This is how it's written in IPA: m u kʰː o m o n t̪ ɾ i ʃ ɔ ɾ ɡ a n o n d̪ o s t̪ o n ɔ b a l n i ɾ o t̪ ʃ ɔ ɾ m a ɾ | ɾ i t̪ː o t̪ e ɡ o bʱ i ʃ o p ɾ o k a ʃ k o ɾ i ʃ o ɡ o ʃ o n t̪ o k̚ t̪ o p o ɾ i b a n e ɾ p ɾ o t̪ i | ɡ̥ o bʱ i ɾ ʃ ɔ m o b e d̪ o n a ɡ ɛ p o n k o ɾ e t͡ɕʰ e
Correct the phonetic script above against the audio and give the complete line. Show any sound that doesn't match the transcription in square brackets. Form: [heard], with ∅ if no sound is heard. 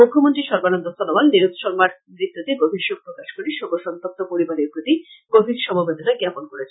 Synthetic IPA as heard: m u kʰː o m o n t̪ ɾ i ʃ ɔ ɾ [b] a n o n d̪ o s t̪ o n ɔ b a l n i ɾ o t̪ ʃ ɔ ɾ m a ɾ | ɾ i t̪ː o t̪ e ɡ o bʱ i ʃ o p ɾ o k a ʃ k o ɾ i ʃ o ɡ o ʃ [ɔ] n t̪ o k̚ t̪ o p o ɾ i b a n e ɾ p ɾ o t̪ i | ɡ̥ o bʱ i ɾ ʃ ɔ m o b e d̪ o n a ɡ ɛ p o n k o ɾ e t͡ɕʰ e